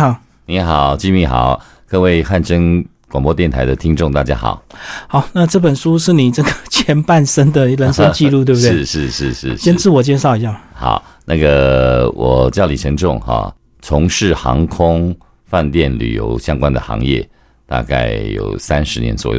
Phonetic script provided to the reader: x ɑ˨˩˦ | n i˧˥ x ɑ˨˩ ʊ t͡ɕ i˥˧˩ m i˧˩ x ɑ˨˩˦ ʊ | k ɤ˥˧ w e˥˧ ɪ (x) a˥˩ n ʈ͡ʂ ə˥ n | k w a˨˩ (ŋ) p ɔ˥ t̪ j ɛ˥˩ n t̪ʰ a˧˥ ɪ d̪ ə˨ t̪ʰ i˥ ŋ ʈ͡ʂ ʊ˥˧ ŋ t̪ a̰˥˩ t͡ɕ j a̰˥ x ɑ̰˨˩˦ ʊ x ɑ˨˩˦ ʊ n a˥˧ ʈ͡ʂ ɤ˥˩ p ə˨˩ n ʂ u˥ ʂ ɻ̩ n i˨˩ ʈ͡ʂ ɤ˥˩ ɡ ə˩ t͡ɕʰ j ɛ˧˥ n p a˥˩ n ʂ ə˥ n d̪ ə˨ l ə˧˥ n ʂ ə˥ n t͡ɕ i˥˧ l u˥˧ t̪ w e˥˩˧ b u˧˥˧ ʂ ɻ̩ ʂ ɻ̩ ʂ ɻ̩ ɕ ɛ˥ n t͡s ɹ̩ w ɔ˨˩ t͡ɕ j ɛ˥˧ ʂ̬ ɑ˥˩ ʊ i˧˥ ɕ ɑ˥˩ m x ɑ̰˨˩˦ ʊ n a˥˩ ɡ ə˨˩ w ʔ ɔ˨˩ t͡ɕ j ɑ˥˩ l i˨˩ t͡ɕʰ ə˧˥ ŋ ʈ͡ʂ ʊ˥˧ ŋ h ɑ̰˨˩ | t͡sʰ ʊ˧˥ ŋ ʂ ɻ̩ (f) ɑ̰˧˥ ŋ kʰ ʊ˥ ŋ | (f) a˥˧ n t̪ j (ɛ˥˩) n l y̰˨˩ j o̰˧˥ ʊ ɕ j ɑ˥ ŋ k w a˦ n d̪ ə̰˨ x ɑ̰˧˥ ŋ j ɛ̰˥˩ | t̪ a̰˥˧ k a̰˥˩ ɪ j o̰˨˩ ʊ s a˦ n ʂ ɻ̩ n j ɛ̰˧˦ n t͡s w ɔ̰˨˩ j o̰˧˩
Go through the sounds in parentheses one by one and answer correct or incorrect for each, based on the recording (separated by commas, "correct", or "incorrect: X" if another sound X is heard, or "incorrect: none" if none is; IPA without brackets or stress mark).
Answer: correct, correct, incorrect: x, correct, correct